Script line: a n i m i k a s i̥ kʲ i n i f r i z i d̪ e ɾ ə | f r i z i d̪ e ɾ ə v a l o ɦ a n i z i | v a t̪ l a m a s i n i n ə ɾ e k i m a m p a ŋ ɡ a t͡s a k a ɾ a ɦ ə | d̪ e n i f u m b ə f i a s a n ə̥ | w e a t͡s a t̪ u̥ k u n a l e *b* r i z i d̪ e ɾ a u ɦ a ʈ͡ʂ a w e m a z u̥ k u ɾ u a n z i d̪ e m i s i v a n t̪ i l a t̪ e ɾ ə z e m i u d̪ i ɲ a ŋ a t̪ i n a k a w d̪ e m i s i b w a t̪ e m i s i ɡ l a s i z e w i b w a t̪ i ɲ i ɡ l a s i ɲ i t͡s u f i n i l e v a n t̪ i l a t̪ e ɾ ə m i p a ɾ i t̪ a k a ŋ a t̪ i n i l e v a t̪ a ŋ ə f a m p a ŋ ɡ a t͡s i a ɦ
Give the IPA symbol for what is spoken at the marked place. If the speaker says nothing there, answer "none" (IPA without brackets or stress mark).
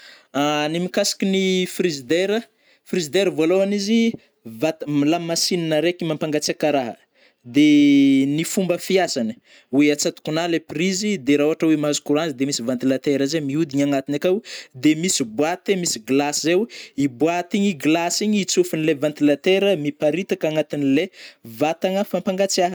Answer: p